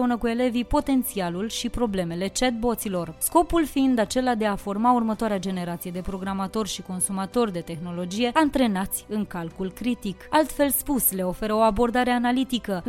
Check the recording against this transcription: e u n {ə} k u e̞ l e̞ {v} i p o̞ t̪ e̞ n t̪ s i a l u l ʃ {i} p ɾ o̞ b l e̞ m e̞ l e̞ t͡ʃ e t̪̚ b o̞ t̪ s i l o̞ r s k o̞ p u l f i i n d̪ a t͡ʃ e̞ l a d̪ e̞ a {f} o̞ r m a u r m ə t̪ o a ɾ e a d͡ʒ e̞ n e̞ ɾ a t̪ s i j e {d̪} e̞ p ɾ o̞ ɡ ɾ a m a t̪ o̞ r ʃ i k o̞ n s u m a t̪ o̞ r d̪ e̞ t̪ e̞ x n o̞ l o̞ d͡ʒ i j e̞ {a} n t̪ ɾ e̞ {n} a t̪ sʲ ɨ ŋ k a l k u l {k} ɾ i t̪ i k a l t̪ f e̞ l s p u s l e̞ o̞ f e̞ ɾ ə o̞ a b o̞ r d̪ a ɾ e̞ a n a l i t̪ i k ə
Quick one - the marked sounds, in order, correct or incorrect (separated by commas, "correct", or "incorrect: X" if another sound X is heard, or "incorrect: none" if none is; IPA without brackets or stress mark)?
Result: correct, correct, correct, correct, correct, correct, correct, correct